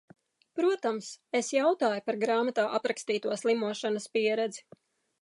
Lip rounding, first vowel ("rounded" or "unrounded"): rounded